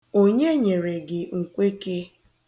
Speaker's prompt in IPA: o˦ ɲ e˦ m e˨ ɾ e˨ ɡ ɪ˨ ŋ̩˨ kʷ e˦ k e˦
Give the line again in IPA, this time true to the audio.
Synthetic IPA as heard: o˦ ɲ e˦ ɲ e˨ ɾ e˨ ɡ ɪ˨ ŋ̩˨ kʷ e˦ k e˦